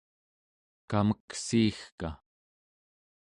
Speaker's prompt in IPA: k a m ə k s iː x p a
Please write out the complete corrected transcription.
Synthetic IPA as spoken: k a m ə k s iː x k a